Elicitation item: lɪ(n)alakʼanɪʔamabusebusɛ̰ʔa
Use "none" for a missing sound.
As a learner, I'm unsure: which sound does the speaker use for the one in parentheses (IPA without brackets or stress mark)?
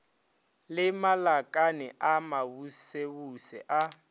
m